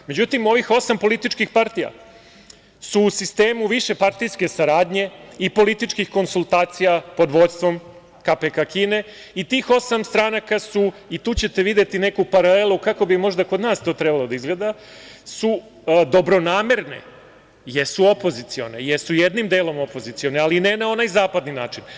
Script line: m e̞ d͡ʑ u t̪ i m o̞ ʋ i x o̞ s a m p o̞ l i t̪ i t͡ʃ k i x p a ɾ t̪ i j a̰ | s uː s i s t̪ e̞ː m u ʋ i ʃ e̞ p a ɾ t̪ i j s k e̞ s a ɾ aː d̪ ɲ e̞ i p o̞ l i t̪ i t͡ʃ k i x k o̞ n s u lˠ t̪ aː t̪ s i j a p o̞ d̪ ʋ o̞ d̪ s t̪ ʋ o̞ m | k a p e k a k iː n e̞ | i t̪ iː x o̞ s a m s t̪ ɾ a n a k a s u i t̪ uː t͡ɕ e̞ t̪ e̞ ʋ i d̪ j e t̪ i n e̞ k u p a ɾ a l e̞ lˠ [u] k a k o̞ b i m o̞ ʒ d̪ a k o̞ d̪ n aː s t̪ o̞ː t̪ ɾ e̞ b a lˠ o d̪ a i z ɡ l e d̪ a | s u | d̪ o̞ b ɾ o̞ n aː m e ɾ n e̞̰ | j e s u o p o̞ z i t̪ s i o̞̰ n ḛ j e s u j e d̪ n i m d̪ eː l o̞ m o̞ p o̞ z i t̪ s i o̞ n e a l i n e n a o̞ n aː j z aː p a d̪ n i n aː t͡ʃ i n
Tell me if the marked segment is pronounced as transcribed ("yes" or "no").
yes